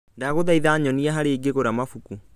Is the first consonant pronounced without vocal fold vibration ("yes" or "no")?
no